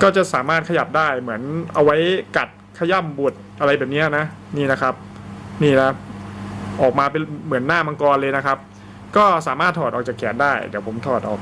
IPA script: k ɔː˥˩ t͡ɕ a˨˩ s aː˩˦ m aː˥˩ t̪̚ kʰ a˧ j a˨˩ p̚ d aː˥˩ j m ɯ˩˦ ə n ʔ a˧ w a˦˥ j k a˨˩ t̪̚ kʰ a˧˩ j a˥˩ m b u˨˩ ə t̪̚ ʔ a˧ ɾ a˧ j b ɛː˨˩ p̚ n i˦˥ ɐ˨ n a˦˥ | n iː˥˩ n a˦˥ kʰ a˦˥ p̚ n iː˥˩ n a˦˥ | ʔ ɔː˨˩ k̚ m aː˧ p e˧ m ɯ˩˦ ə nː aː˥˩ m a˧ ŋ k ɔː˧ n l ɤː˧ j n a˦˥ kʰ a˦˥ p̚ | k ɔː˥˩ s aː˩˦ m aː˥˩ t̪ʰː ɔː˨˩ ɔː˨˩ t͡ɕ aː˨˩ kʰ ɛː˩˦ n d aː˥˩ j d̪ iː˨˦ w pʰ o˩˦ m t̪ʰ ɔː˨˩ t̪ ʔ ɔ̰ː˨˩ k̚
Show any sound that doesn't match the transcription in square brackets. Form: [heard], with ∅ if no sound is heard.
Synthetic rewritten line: k ɔː˥˩ t͡ɕ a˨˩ s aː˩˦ m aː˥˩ t̪̚ kʰ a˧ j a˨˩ p̚ d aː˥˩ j m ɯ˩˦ ə n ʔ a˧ w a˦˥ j k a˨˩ t̪̚ kʰ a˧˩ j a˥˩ m b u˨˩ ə t̪̚ ʔ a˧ ɾ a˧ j b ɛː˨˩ p̚ n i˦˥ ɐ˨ n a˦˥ | n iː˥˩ n a˦˥ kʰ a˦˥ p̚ n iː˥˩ n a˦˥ | ʔ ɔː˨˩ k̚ m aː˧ p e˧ m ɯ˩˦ ə nː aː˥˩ m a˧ ŋ k ɔː˧ n l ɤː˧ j n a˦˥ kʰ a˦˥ p̚ | k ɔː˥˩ s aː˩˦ m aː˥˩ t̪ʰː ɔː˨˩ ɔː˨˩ t͡ɕ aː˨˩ kʰ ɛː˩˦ n d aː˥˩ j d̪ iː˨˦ w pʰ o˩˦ m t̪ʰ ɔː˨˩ t̪ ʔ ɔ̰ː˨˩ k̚

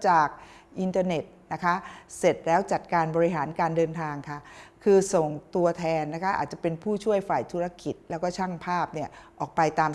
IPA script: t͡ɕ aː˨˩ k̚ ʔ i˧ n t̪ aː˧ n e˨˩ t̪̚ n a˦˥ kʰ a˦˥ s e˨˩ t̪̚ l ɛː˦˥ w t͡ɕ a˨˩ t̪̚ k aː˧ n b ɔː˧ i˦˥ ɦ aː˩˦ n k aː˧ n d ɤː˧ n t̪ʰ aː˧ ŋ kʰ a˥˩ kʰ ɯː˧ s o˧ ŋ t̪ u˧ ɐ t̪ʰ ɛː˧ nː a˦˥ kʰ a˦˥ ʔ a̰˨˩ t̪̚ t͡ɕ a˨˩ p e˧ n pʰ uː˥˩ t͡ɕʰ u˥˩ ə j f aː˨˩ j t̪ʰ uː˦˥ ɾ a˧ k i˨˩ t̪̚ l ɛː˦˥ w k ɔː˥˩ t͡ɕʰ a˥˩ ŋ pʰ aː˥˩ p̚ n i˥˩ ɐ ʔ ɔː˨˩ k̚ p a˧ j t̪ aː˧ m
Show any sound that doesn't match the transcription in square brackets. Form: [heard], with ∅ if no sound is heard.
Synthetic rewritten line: t͡ɕ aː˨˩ k̚ ʔ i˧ n t̪ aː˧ n e˨˩ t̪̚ n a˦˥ kʰ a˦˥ s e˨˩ t̪̚ l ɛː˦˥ w t͡ɕ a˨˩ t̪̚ k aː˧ n b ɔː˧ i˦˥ ɦ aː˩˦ n k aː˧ n d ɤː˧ n t̪ʰ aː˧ ŋ kʰ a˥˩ kʰ ɯː˧ s [o˨˩] ŋ t̪ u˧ ɐ t̪ʰ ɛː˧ nː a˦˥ kʰ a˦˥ ʔ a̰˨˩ t̪̚ t͡ɕ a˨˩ p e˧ n pʰ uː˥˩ t͡ɕʰ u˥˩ ə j f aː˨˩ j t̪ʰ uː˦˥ ɾ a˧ k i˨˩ t̪̚ l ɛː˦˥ w k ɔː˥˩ t͡ɕʰ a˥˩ ŋ pʰ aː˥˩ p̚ n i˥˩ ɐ ʔ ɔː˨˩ k̚ p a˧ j t̪ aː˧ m

